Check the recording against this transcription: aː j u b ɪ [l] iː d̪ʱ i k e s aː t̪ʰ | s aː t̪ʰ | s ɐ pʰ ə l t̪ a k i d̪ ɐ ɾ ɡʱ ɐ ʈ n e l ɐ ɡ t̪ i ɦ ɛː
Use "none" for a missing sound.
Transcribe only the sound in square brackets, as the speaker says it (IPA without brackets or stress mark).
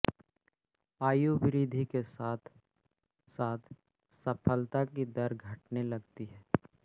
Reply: ɾ